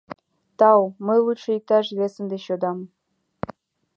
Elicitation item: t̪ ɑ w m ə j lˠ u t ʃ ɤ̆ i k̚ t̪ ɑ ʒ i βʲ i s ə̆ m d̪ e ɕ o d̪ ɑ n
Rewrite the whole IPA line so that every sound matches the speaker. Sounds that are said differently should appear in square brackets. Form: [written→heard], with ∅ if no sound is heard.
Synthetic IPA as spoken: t̪ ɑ w m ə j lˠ u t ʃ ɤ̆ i k̚ t̪ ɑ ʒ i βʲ [i→e] s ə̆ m d̪ e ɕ o d̪ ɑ [n→m]